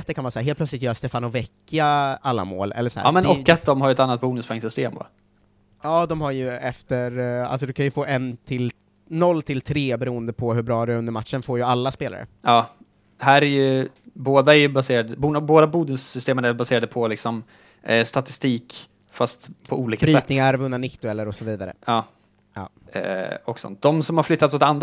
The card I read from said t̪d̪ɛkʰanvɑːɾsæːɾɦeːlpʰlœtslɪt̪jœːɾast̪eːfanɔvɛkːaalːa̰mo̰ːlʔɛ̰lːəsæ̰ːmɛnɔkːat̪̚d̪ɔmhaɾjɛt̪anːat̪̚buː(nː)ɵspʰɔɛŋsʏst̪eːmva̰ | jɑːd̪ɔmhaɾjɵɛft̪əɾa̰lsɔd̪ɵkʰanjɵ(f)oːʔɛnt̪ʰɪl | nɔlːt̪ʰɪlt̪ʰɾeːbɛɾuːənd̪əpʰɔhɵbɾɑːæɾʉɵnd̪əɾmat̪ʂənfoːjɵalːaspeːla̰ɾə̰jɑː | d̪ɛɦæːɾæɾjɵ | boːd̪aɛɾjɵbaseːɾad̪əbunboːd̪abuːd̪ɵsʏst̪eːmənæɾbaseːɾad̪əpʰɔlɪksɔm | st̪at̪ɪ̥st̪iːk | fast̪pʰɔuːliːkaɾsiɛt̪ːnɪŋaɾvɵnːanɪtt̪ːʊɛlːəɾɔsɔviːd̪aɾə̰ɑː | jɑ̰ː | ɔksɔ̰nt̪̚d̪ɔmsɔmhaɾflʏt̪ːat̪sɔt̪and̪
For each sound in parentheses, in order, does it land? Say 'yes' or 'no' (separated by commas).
no, yes